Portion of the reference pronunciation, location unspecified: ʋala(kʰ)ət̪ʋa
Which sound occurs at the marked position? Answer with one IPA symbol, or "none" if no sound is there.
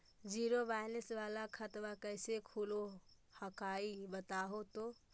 kʰ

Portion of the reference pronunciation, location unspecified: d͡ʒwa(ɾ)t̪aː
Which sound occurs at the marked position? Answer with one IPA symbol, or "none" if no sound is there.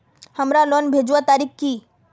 none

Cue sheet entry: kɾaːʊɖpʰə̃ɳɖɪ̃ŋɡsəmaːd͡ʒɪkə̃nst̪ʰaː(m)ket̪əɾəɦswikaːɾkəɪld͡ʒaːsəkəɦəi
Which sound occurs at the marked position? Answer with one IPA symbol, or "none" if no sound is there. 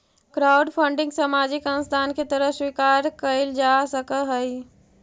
n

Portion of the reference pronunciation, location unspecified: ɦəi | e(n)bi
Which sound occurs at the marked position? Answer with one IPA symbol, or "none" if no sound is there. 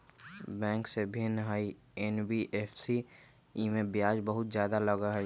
n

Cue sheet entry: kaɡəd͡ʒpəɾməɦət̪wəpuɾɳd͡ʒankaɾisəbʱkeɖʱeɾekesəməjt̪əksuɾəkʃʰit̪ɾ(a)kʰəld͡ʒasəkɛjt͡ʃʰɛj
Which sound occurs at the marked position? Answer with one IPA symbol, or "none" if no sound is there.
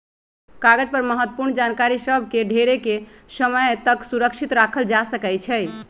a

